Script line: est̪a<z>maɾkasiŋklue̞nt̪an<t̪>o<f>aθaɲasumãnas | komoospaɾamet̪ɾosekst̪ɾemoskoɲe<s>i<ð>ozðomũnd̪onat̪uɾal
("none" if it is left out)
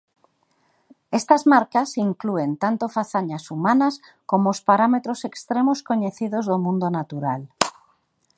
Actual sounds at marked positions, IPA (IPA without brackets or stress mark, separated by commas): z, t̪, f, θ, ð